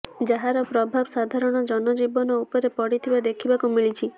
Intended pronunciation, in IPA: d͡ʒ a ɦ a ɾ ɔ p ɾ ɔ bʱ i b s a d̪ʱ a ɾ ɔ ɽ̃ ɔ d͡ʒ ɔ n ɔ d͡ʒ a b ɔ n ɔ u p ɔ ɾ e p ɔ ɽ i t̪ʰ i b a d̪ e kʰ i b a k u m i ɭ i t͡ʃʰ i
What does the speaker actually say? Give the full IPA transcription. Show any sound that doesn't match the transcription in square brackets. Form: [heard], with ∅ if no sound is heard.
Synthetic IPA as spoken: d͡ʒ a ɦ a ɾ ɔ p ɾ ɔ bʱ [a] b s a d̪ʱ a ɾ ɔ ɽ̃ ɔ d͡ʒ ɔ n ɔ d͡ʒ [i] b ɔ n ɔ u p ɔ ɾ e p ɔ ɽ i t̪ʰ i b a d̪ e kʰ i b a k u m i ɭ i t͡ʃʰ i